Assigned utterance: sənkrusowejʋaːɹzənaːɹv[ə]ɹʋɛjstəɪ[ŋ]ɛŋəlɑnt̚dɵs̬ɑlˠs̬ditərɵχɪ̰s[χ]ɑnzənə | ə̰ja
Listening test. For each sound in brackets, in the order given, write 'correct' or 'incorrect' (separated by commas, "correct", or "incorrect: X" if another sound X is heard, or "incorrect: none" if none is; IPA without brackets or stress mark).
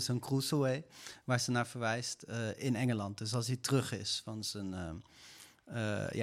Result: correct, incorrect: n, incorrect: f